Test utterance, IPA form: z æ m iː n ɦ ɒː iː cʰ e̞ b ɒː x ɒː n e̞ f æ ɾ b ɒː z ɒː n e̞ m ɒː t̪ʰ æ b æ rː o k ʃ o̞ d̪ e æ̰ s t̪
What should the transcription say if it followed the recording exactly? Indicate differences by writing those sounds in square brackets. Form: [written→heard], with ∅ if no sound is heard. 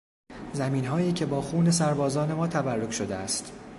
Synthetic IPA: z æ m iː n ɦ ɒː iː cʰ e̞ b ɒː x [ɒː→uː] n e̞ [f→s] æ ɾ b ɒː z ɒː n e̞ m ɒː t̪ʰ æ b æ rː o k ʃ o̞ d̪ e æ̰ s t̪